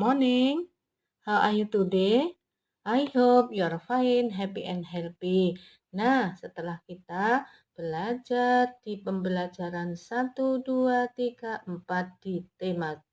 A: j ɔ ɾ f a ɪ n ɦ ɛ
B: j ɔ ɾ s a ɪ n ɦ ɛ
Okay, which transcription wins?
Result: A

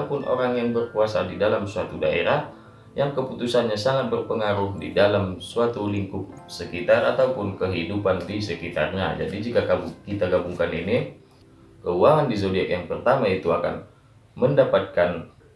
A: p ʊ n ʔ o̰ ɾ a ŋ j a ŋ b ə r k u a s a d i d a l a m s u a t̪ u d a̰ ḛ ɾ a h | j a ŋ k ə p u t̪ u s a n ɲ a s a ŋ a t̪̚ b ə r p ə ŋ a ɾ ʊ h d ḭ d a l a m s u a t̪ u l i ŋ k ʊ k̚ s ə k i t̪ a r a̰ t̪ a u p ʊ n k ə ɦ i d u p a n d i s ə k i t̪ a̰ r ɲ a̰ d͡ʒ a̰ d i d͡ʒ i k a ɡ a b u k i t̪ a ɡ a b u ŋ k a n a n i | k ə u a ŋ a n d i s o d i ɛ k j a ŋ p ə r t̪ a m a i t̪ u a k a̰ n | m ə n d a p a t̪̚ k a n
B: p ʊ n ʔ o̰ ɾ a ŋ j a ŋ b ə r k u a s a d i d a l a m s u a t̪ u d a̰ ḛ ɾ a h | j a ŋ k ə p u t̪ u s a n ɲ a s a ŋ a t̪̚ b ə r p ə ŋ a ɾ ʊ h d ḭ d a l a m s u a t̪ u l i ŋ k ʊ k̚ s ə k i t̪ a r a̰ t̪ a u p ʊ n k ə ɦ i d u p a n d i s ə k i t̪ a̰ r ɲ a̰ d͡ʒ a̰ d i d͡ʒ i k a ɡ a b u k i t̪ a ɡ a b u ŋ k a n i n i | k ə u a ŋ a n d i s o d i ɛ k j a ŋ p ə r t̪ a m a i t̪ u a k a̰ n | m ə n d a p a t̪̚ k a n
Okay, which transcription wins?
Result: B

